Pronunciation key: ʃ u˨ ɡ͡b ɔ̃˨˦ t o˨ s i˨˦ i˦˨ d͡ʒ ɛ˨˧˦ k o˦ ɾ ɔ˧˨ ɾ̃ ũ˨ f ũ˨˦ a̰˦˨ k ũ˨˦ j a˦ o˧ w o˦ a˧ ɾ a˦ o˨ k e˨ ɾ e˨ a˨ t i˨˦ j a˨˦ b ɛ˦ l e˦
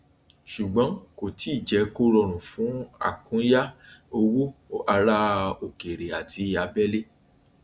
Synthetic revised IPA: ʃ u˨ ɡ͡b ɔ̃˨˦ k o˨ t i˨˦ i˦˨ d͡ʒ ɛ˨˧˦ k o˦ ɾ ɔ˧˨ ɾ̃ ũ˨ f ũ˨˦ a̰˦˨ k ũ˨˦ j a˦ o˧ w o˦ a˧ ɾ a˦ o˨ k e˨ ɾ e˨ a˨ t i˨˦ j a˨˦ b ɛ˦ l e˦